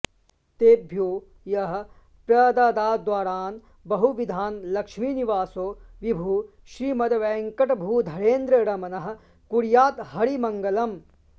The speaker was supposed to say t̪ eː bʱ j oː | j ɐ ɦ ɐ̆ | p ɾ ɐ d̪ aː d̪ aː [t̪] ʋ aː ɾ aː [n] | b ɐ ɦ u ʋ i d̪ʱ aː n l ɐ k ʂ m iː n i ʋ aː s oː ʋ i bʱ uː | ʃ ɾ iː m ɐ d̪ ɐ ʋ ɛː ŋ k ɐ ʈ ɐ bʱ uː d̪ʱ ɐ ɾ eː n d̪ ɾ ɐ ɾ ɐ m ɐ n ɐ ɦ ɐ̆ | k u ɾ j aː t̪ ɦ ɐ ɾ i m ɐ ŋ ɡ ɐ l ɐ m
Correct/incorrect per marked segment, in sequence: incorrect: d̪, correct

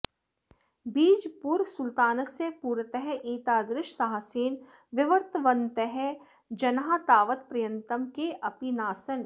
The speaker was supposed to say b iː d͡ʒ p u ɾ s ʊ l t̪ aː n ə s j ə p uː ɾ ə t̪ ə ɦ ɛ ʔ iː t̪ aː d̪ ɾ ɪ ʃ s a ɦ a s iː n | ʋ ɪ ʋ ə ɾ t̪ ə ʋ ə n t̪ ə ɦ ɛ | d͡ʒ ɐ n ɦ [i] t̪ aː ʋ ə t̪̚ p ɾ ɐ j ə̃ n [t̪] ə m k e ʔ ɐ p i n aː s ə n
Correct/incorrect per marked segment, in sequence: incorrect: a, correct

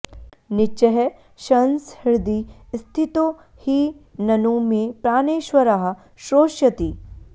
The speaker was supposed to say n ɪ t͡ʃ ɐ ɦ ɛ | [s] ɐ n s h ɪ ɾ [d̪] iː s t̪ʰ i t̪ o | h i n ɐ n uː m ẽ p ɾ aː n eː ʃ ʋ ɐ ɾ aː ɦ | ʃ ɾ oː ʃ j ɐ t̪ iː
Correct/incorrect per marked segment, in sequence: incorrect: ʃ, correct

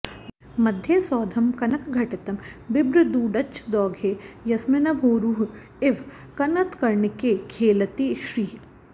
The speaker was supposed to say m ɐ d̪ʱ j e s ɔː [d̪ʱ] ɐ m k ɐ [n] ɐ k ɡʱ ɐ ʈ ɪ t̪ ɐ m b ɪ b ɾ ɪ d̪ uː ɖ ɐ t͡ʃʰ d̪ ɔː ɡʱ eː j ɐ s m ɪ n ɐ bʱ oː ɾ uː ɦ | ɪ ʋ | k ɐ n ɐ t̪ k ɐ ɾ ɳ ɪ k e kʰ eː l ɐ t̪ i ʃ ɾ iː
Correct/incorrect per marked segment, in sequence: correct, correct

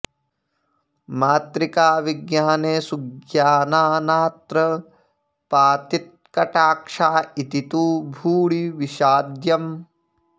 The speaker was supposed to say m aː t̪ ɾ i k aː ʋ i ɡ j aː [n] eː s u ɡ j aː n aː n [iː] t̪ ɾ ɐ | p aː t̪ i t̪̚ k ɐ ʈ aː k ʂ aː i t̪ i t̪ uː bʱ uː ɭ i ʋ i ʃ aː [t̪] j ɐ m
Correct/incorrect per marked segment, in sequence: correct, incorrect: aː, incorrect: d̪

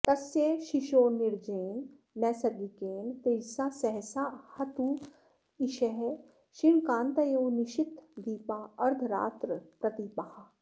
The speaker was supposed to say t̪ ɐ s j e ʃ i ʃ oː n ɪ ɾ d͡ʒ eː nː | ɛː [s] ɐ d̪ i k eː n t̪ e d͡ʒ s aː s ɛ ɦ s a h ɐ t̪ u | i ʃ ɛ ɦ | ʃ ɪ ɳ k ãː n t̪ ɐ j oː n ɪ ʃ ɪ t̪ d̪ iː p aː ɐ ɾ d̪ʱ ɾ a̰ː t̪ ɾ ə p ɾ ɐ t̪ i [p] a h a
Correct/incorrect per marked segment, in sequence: correct, correct

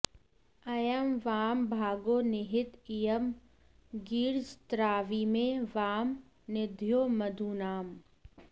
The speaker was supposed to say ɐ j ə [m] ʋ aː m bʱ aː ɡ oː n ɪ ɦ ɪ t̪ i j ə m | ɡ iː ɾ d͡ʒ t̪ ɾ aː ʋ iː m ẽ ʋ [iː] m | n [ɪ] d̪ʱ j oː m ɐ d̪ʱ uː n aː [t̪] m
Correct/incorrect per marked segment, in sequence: correct, incorrect: aː, correct, incorrect: none

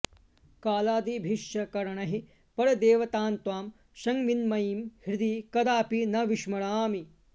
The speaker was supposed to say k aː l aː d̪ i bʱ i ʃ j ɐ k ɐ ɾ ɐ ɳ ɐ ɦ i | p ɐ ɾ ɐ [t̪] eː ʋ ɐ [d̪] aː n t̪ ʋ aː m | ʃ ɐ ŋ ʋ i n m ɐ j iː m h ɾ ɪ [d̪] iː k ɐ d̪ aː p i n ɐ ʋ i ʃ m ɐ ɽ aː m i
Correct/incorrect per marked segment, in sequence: incorrect: d̪, incorrect: t̪, correct

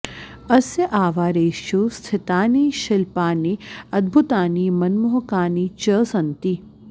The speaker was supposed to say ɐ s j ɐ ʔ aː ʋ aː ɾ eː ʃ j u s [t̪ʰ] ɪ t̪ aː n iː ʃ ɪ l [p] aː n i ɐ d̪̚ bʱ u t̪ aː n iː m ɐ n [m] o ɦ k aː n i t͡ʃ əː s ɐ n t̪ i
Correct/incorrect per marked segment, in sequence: correct, correct, correct

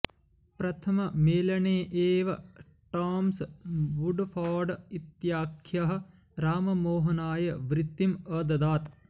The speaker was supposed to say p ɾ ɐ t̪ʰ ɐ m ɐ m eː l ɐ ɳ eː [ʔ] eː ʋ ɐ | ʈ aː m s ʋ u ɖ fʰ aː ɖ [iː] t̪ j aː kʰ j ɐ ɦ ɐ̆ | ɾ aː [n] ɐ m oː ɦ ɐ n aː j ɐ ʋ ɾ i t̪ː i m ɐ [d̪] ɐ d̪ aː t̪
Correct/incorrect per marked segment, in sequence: correct, incorrect: i, incorrect: m, correct

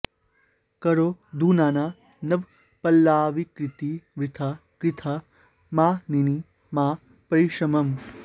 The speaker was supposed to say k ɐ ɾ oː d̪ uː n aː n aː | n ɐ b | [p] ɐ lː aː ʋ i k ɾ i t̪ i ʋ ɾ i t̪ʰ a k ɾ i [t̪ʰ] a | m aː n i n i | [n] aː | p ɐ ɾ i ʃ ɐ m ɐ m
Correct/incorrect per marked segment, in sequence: correct, correct, incorrect: m

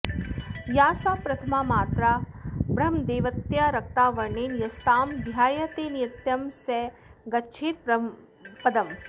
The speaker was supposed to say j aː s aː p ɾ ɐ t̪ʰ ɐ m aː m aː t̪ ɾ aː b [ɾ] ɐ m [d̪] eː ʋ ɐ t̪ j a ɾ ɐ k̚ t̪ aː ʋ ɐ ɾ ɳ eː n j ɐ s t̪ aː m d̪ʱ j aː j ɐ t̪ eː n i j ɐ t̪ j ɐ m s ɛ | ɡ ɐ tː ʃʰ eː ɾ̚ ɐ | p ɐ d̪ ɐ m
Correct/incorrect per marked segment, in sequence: correct, correct

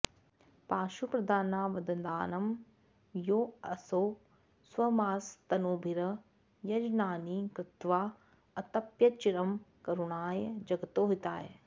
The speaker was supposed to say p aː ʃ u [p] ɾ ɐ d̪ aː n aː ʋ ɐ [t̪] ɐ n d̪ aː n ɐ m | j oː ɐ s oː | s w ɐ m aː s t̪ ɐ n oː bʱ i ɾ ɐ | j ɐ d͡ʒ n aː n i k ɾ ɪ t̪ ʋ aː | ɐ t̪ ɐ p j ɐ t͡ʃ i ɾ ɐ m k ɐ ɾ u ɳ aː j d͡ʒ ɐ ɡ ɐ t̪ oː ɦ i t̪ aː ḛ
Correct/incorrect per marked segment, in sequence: correct, incorrect: d̪

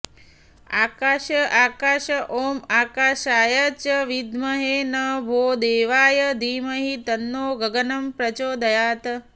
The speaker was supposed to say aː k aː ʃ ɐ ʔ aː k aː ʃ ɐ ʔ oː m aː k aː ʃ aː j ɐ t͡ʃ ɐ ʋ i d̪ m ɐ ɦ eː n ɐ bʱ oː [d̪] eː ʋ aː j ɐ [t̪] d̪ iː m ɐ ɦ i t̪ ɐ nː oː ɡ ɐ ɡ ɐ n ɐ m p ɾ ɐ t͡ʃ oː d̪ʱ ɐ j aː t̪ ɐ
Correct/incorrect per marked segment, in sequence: correct, incorrect: none

